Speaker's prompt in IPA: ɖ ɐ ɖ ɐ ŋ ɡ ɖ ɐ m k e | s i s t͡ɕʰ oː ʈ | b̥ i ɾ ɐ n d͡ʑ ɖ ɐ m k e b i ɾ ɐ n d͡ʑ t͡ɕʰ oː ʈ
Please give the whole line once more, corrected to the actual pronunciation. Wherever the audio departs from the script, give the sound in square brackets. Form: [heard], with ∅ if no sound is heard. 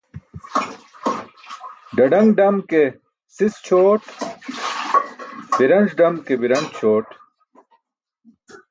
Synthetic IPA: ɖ ɐ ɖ ɐ ŋ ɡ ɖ ɐ m k e | s i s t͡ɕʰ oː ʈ | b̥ i ɾ ɐ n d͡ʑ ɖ ɐ m k e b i ɾ ɐ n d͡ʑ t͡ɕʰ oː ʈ